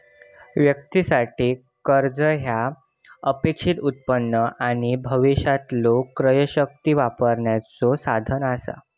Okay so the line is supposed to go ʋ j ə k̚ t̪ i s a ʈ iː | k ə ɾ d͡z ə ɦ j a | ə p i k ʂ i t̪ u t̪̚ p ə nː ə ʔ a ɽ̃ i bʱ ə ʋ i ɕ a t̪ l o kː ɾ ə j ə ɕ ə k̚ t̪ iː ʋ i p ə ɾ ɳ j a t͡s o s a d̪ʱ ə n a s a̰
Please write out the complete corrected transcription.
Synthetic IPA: ʋ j ə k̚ t̪ i s a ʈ iː | k ə ɾ d͡z ə ɦ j a | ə p e k ʂ i t̪ u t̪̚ p ə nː ə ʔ a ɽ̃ i bʱ ə ʋ i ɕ a t̪ l o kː ɾ ə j ə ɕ ə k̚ t̪ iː ʋ a p ə ɾ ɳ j a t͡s o s a d̪ʱ ə n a s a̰